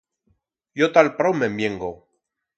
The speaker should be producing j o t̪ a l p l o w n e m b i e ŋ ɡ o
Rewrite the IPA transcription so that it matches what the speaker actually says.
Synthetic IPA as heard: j o t̪ a l p ɾ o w m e m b j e ŋ ɡ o